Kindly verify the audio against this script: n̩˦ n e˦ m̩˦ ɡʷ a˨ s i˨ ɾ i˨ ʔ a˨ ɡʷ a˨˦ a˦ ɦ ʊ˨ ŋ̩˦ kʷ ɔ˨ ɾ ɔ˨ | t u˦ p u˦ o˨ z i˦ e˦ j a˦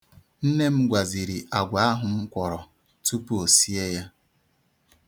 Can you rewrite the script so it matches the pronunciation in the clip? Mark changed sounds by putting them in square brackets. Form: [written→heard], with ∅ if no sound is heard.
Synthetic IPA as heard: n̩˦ n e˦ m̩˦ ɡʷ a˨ [s→z] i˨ ɾ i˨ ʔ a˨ ɡʷ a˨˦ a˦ ɦ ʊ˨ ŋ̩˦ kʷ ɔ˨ ɾ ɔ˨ | t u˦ p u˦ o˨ [z→s] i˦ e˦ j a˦